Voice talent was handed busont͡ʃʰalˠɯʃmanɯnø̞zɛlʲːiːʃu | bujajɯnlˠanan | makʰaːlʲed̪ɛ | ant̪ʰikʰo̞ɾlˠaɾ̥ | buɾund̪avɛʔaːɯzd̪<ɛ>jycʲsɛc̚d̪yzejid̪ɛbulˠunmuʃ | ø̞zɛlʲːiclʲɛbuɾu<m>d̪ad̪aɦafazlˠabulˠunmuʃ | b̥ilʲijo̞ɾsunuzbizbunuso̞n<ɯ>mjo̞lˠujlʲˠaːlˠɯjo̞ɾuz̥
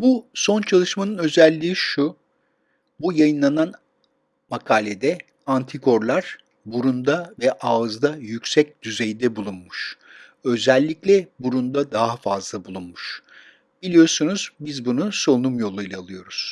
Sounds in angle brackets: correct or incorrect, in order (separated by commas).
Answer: incorrect, incorrect, incorrect